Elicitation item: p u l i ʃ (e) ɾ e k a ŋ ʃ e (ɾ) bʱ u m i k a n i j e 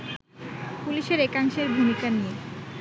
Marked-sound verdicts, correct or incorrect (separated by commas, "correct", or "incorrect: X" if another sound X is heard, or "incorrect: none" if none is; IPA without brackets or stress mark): correct, correct